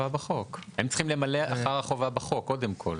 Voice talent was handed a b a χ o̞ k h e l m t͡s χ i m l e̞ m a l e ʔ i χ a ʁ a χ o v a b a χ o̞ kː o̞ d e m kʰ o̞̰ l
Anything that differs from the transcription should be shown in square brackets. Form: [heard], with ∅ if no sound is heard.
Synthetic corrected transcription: a b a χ o̞ k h e [∅] m t͡s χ i m l e̞ m a l e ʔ [a] χ a ʁ a χ o v a b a χ o̞ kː o̞ d e m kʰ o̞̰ l